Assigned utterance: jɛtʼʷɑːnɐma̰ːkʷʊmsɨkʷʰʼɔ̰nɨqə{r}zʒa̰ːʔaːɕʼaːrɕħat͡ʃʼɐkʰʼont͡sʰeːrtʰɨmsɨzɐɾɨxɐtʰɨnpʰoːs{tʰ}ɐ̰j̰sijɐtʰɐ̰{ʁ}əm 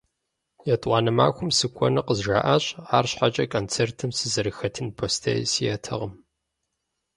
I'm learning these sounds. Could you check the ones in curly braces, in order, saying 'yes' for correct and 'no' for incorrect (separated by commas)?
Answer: no, yes, yes